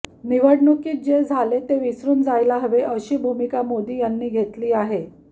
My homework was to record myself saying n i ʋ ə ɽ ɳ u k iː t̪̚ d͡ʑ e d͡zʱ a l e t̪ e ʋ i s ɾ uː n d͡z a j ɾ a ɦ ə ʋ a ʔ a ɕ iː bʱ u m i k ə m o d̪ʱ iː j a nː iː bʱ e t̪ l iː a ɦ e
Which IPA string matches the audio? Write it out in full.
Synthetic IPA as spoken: n i ʋ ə ɽ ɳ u k iː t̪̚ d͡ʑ e d͡zʱ a l e t̪ e ʋ i s ɾ uː n d͡z a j l a ɦ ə ʋ e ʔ ə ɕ iː bʱ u m i k a m o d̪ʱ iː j a nː iː ɡʱ e t̪ l iː a ɦ e